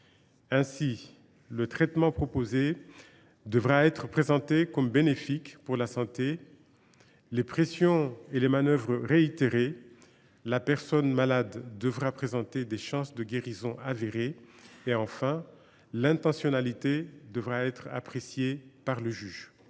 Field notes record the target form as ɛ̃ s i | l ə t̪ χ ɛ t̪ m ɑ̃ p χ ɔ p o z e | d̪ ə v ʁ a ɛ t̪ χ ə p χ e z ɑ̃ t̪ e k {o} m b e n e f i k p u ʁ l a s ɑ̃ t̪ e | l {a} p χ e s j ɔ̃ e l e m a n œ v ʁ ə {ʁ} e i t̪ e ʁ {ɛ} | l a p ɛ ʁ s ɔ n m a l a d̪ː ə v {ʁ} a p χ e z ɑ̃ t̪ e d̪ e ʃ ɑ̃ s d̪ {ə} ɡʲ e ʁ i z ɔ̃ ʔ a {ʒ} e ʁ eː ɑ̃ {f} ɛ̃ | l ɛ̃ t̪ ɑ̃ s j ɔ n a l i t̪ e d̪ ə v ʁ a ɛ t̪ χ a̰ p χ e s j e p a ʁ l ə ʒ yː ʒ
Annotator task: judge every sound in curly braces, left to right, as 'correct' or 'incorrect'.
incorrect: ɔ, incorrect: e, correct, incorrect: e, correct, correct, incorrect: v, correct

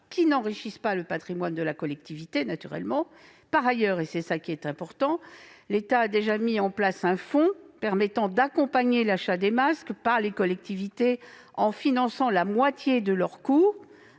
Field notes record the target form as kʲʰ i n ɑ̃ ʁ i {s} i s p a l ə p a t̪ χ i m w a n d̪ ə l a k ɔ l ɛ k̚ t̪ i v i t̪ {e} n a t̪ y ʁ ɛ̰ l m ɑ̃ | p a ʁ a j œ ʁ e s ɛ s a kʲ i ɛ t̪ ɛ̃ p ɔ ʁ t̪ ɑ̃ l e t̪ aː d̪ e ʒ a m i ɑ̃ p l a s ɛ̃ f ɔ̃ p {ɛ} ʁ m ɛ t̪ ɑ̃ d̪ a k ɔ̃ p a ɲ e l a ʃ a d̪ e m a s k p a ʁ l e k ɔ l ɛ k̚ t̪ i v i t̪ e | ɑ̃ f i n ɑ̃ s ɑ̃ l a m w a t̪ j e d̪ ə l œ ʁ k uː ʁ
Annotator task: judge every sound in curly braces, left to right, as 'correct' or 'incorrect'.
incorrect: ʃ, correct, correct

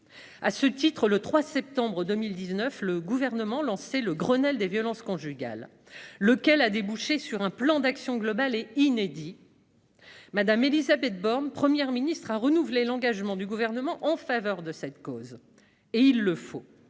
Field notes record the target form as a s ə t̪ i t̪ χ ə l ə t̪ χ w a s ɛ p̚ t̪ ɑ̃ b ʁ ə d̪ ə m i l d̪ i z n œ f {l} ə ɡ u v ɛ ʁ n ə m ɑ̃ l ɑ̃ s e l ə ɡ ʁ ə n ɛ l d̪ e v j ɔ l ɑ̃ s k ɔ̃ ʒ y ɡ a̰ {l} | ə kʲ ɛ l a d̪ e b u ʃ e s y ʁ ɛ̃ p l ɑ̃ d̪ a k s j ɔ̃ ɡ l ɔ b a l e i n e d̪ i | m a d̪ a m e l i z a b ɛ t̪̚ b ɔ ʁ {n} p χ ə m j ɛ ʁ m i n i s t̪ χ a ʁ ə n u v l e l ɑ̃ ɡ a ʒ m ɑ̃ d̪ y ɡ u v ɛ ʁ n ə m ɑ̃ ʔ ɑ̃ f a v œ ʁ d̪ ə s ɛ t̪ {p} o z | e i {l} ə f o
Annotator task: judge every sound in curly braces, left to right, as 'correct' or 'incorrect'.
correct, incorrect: lː, correct, incorrect: k, incorrect: lː

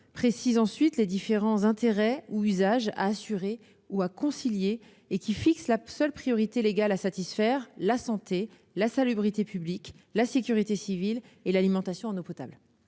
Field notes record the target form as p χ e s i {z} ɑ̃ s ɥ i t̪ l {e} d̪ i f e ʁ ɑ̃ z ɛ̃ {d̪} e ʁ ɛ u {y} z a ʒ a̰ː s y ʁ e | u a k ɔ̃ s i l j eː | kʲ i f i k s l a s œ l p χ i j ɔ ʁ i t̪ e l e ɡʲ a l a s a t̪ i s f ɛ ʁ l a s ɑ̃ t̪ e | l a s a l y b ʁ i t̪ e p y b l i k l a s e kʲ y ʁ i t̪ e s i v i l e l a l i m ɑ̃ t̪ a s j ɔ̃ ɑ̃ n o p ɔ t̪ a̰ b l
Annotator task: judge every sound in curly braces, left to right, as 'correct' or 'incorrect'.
correct, correct, incorrect: t̪, correct

